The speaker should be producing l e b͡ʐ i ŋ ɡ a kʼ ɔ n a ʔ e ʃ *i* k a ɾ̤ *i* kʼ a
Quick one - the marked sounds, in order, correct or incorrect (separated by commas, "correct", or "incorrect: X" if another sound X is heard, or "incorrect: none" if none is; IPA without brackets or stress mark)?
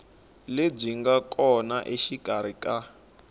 correct, correct